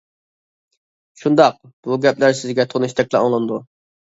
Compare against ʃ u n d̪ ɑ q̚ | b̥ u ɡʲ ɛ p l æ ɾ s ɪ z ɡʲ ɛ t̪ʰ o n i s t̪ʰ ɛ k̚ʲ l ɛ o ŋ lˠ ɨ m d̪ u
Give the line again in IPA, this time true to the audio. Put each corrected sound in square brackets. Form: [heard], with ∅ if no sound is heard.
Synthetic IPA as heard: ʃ u n d̪ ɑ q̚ | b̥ u ɡʲ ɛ p l æ ɾ s ɪ z ɡʲ ɛ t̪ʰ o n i [ʃ] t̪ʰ ɛ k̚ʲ l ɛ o ŋ lˠ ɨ [n] d̪ u